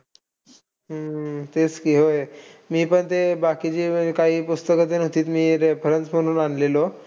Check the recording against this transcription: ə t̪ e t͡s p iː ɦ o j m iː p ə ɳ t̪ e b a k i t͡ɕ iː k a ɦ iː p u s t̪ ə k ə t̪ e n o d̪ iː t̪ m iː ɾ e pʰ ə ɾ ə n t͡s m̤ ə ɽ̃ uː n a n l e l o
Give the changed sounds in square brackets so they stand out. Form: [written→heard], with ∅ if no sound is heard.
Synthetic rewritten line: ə t̪ e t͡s [p→k] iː ɦ o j m iː p ə ɳ t̪ e b a k i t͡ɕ iː k a ɦ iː p u s t̪ ə k ə t̪ e n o [d̪→t̪] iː t̪ m iː ɾ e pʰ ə ɾ ə n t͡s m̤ ə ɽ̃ uː n a n l e l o